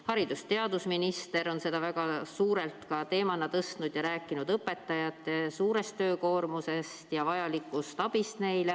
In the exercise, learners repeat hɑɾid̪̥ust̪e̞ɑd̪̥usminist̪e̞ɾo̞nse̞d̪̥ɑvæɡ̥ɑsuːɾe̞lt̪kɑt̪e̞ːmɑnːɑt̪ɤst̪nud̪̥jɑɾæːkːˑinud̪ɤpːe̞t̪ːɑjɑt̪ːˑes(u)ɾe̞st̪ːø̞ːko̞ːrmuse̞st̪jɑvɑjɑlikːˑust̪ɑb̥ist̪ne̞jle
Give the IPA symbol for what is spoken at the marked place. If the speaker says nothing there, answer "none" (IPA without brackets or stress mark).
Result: uː